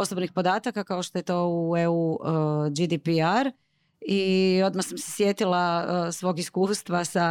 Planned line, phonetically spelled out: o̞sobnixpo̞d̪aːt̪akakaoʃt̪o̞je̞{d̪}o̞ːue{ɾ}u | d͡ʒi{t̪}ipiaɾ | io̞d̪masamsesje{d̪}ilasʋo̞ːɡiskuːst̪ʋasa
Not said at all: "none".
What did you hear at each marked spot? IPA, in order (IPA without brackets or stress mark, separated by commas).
t̪, none, d̪, t̪